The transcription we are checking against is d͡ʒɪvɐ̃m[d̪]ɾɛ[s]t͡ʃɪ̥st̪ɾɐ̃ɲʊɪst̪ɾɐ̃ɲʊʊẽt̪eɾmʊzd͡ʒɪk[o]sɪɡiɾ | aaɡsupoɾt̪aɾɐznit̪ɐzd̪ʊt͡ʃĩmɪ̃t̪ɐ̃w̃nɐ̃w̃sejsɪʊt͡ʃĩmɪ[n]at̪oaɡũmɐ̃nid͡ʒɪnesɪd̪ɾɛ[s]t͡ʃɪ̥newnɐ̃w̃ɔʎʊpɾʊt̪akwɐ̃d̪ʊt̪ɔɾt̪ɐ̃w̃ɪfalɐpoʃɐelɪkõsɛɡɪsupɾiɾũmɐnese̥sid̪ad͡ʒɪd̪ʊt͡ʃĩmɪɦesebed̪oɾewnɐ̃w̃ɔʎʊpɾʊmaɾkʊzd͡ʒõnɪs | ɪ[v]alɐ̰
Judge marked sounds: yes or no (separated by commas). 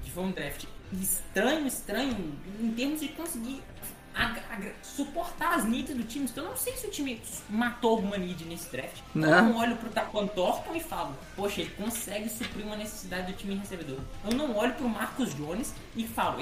yes, no, no, no, no, no